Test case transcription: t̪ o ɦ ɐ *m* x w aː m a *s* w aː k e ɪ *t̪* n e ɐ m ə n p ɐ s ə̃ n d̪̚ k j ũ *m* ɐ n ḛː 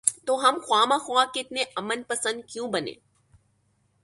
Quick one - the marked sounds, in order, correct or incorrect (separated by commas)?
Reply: correct, incorrect, correct, incorrect